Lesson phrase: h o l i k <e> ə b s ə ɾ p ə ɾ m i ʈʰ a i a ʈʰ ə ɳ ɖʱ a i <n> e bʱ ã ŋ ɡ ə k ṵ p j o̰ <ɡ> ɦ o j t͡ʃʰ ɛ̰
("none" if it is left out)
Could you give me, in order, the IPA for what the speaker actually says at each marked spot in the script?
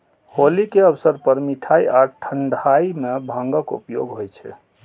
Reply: e, m, ɡ

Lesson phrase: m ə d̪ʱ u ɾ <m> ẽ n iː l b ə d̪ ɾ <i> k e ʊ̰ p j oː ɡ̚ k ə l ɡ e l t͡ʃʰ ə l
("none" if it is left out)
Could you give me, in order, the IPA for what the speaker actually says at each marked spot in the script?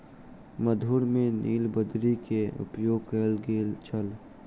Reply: m, i

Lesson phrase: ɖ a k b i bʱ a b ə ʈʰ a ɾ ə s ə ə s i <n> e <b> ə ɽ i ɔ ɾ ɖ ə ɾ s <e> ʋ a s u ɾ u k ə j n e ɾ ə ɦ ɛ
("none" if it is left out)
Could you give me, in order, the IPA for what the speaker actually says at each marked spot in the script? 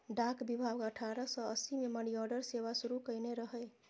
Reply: m, m, e

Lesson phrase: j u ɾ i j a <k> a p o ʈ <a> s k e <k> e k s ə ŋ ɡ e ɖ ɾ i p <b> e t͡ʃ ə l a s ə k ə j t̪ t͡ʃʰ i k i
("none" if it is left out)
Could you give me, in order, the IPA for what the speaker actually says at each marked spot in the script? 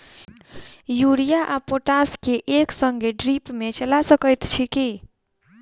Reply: ʔ, a, ʔ, m

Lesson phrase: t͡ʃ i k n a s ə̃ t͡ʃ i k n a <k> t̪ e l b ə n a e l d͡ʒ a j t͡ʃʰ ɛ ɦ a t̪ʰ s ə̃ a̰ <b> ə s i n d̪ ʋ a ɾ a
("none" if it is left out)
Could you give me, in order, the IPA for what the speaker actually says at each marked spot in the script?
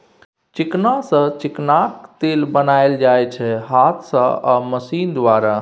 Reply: k, m

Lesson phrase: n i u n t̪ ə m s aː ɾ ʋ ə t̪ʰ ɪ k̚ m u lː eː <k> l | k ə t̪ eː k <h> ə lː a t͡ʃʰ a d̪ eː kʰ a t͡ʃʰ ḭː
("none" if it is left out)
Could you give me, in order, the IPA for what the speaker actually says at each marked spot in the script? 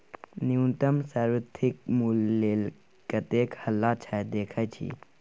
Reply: none, h

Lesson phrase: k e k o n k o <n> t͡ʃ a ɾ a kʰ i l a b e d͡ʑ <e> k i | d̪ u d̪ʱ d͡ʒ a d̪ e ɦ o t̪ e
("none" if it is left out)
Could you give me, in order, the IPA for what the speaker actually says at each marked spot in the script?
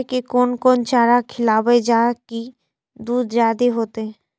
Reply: n, a

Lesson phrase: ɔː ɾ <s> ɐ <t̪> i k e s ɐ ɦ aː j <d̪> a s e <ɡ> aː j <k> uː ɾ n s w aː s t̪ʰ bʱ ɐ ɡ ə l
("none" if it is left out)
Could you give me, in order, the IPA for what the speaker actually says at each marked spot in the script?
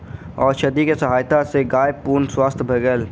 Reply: ʃ, d̪, t̪, ɡ, p

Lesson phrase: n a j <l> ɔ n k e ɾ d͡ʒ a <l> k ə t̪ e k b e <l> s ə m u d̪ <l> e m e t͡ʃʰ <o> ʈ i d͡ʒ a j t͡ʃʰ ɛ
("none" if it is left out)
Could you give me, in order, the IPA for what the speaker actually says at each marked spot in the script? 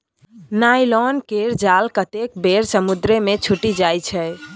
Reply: l, l, ɾ, ɾ, u

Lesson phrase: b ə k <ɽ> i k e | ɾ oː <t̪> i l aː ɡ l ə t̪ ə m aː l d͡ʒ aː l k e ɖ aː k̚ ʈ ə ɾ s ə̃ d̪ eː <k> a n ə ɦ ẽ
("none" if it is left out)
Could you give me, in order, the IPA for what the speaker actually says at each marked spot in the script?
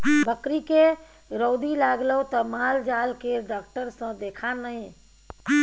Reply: ɾ, d̪, kʰ

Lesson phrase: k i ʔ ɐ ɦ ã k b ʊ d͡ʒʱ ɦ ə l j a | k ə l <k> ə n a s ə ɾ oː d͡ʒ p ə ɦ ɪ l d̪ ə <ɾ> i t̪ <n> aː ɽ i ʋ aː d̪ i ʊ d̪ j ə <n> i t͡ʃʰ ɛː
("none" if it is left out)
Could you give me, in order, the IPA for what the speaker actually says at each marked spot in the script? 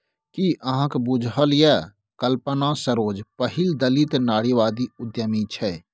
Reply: p, l, n, m

